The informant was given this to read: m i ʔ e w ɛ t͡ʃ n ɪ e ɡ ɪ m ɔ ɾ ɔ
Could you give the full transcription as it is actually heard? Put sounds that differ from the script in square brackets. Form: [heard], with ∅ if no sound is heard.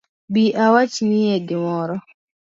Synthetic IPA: [b] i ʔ [a] w [a] t͡ʃ n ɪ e [d] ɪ m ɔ ɾ ɔ